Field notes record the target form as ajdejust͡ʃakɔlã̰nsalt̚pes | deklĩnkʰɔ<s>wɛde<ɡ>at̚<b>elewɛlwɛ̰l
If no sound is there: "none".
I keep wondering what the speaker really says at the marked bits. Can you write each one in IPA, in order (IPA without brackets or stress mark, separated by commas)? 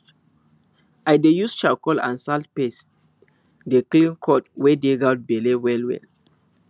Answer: t, ɡ, b